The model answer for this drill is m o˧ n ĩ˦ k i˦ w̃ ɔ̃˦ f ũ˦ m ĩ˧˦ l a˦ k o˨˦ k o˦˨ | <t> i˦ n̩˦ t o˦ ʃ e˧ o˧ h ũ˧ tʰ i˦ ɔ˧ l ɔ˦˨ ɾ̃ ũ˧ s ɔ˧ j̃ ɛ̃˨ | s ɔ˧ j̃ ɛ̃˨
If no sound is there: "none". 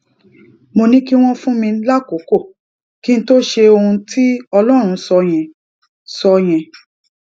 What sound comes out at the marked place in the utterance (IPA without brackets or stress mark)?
k